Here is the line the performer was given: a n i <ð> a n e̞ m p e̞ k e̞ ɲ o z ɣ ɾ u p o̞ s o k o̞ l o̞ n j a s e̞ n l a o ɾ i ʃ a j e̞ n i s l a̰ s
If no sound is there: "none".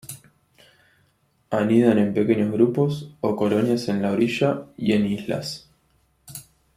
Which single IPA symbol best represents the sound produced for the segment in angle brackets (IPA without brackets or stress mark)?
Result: ð